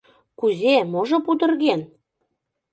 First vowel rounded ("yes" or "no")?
yes